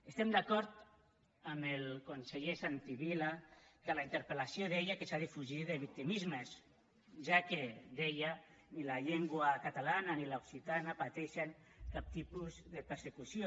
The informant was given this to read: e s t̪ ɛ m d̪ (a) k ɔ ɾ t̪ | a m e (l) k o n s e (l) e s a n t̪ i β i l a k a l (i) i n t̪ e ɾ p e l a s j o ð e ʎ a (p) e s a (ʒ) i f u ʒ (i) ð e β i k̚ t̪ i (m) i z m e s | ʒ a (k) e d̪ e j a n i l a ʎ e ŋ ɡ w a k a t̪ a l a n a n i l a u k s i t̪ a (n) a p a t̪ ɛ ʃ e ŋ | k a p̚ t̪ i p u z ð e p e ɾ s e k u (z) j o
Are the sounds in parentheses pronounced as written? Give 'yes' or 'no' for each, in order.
yes, yes, no, no, no, no, yes, yes, yes, yes, no

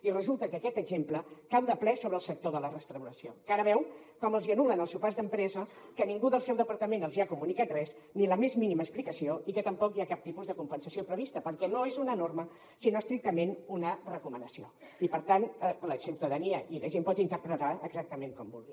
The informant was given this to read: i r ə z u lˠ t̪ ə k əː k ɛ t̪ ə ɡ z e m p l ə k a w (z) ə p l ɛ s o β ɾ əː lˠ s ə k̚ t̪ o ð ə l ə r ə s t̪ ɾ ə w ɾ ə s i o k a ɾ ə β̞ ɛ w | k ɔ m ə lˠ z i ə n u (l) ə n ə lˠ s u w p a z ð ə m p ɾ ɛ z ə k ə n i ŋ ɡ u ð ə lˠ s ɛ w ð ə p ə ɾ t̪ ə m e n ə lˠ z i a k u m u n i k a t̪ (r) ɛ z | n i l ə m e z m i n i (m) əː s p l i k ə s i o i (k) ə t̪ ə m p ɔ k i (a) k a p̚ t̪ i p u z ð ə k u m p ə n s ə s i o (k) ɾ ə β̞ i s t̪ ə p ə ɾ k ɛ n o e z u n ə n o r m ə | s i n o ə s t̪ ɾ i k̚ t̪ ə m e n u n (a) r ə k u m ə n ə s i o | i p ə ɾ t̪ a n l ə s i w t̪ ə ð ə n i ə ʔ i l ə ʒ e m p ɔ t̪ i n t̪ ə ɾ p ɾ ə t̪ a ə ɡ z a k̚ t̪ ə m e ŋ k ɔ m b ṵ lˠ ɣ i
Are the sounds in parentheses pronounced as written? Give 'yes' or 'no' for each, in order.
no, yes, yes, yes, yes, yes, no, no

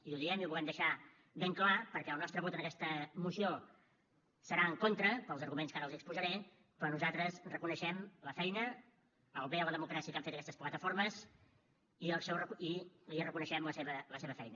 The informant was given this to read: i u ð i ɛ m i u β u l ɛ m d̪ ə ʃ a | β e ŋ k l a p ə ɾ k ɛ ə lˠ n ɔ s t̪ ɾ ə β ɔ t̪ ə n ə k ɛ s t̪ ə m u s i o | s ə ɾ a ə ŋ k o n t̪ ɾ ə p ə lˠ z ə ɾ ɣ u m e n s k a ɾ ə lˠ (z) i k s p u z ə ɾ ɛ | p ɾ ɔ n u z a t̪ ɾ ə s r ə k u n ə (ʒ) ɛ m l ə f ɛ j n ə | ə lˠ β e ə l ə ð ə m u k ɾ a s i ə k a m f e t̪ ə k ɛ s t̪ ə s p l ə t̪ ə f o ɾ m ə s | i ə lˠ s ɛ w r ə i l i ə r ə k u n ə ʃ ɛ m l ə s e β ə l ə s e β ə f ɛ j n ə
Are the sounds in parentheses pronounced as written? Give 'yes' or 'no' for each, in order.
yes, no

